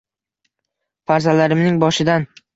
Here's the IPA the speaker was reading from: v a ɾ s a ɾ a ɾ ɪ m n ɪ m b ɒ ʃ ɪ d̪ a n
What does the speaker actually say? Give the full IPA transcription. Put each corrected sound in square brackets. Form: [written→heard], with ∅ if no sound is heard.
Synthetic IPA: [v→f] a ɾ [s→z] a [ɾ→l] a ɾ ɪ m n ɪ [m→ŋ] b ɒ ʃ ɪ d̪ a n